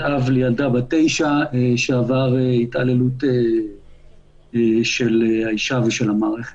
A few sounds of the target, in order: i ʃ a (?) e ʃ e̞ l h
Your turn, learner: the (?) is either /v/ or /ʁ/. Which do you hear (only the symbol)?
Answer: v